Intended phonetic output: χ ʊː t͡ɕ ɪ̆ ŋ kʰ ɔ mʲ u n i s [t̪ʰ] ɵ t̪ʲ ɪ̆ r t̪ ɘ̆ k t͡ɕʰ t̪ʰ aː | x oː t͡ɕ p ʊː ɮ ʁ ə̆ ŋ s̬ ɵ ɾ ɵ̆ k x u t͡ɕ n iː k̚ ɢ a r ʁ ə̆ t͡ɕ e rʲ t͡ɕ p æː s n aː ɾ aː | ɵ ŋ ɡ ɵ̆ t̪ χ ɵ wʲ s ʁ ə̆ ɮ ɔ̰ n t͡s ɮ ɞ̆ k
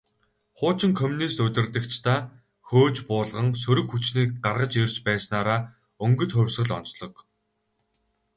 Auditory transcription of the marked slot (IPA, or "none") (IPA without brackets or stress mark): t̪